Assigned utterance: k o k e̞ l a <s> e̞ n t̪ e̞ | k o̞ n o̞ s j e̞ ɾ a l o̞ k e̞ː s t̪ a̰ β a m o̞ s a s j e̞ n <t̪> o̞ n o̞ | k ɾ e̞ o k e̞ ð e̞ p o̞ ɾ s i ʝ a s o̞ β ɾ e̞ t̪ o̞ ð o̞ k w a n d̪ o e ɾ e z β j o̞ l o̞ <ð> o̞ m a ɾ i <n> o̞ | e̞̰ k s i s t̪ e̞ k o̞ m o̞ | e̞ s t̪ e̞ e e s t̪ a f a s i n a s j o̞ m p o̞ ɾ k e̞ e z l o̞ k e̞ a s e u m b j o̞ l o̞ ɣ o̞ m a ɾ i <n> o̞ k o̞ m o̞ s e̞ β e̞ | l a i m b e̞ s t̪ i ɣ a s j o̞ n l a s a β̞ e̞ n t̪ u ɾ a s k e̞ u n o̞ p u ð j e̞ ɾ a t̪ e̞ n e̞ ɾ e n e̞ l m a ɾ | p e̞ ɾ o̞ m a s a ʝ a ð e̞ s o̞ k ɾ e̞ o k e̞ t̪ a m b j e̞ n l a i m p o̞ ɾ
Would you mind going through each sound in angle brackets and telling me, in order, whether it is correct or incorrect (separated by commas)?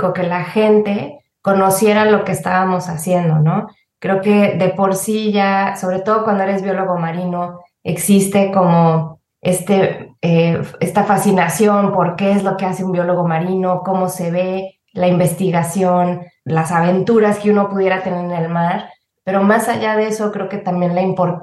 incorrect, incorrect, incorrect, correct, correct